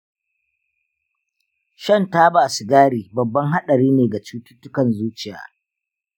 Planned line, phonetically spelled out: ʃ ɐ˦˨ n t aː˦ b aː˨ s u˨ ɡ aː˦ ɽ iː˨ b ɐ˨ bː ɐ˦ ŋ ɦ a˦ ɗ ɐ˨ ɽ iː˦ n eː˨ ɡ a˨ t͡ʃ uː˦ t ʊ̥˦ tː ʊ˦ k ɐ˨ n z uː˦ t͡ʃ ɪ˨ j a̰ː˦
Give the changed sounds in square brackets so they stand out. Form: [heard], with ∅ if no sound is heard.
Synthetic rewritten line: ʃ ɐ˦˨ n t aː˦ b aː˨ s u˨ ɡ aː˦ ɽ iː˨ b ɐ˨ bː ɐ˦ ŋ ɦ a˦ ɗ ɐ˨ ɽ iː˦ n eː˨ ɡ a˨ t͡ʃ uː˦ t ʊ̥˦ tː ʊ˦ k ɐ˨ n z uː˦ t͡ʃ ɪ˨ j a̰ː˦